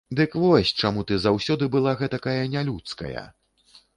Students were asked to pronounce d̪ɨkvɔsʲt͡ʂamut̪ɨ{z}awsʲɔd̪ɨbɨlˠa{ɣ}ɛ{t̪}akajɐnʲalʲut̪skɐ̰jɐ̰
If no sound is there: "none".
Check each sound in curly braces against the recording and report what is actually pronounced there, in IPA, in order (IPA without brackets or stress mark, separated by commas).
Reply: z, ɣ, t̪